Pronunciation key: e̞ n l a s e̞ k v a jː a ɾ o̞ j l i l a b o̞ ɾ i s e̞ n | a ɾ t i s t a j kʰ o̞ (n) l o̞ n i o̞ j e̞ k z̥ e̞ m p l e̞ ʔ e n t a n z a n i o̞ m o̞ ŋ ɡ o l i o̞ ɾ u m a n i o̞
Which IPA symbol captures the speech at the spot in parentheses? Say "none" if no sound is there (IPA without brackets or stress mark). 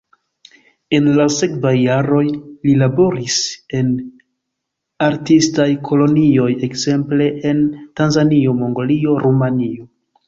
none